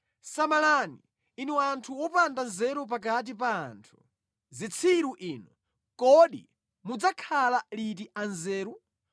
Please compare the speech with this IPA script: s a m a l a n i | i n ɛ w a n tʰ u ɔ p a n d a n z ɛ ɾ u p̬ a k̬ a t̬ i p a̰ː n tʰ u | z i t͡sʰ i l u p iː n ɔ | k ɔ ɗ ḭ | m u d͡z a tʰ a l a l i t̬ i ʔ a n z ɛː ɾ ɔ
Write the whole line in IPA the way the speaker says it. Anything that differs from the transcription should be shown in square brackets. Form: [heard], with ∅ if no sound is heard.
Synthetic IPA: s a m a l a n i | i n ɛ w a n tʰ u ɔ p a n d a n z ɛ ɾ u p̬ a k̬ a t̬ i p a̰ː n tʰ u | z i t͡sʰ i [ɾ] u [ʔ] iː n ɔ | k ɔ ɗ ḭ | m u d͡z a [kʰ] a l a l i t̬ i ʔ a n z ɛː ɾ [u]